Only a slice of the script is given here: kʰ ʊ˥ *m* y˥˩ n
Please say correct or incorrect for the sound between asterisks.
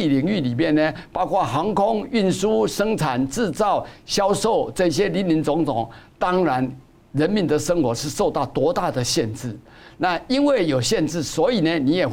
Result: incorrect